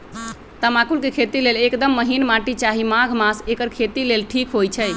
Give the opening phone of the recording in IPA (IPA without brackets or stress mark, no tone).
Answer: t̪